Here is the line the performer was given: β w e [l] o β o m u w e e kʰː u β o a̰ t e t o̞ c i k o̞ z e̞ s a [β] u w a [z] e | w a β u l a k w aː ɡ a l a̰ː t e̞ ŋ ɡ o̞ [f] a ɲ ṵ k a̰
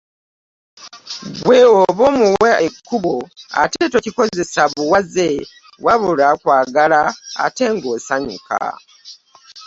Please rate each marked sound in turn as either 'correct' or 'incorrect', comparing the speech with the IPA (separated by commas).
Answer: incorrect, correct, correct, incorrect